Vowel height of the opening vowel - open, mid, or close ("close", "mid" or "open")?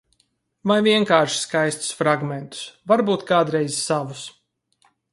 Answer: open